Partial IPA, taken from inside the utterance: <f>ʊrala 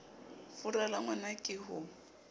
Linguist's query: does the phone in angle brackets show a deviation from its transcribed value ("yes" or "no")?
no